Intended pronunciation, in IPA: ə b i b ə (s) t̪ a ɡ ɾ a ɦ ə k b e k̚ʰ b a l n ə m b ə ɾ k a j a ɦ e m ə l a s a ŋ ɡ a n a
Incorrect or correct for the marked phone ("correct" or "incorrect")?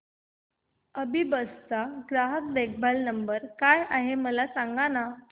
correct